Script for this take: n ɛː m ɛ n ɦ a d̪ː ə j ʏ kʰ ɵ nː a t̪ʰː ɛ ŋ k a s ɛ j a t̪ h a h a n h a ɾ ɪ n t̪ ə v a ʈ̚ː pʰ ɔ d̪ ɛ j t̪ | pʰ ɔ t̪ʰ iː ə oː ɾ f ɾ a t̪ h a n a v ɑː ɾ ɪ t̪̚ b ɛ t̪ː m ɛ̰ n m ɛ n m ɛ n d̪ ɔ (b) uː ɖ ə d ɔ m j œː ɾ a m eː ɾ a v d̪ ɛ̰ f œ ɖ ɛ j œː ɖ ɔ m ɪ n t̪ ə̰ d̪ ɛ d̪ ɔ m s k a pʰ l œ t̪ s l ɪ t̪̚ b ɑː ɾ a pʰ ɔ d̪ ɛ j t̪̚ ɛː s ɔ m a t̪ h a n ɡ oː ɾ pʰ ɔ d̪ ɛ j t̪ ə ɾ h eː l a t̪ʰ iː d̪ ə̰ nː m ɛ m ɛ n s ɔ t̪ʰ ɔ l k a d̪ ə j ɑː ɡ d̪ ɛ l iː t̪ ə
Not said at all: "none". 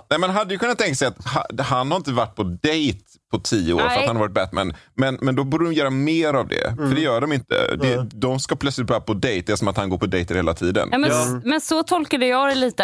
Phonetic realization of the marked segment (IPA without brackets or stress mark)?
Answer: b